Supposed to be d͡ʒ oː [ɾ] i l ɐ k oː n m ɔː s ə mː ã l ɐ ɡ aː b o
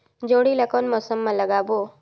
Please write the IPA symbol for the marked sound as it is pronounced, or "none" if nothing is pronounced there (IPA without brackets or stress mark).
ɽ